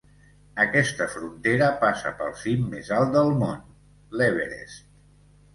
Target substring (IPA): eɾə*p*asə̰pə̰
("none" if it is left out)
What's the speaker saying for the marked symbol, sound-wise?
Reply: p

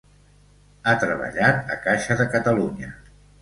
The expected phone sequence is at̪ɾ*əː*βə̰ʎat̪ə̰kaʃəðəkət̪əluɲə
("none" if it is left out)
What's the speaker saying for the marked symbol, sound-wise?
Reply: ə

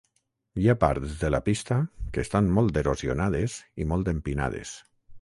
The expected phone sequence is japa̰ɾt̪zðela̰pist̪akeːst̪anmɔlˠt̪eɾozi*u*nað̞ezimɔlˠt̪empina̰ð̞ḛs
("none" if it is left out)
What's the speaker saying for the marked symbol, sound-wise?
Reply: o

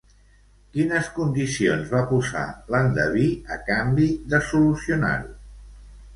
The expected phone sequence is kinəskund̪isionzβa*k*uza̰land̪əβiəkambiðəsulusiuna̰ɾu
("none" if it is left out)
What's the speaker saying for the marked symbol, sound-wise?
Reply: p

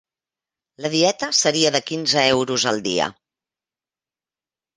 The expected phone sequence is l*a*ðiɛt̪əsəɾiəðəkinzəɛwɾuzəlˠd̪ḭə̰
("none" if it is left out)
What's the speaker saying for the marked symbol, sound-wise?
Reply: ə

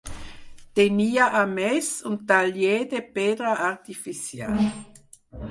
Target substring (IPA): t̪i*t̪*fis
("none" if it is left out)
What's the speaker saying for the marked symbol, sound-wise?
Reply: none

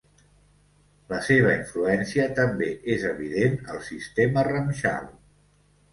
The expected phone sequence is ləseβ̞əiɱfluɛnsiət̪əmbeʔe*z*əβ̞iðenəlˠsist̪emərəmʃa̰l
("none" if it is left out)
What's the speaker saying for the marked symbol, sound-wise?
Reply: z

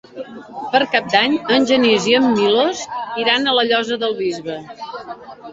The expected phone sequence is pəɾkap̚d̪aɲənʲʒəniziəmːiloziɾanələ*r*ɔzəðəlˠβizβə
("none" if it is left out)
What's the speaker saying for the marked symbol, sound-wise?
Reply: ʎ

